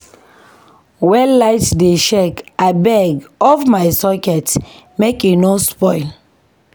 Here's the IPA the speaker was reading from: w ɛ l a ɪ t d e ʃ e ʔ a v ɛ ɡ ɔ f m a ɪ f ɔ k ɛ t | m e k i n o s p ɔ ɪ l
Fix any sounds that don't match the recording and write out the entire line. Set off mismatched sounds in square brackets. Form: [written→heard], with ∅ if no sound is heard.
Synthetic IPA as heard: w ɛ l a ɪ t d e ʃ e [ʔ→k] a [v→b] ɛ ɡ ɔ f m a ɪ [f→s] ɔ k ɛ t | m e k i n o s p ɔ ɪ l